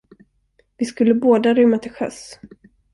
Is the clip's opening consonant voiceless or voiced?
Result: voiced